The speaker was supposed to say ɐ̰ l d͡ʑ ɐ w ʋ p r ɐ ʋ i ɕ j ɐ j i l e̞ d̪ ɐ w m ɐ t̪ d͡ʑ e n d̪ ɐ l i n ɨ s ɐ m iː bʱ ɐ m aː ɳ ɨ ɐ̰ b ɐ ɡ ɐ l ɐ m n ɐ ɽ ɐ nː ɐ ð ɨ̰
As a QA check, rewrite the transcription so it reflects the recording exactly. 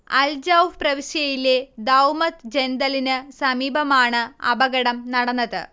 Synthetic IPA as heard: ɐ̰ l d͡ʑ ɐ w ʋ p r ɐ ʋ i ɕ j ɐ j i l e̞ d̪ ɐ w m ɐ t̪ d͡ʑ e n d̪ ɐ l i n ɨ s ɐ m iː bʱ ɐ m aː ɳ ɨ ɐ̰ b ɐ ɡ ɐ ɽ ɐ m n ɐ ɽ ɐ nː ɐ ð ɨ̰